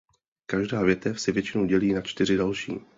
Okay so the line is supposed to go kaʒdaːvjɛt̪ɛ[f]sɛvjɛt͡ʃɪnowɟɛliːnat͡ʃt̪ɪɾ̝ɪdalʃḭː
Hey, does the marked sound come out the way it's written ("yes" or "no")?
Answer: yes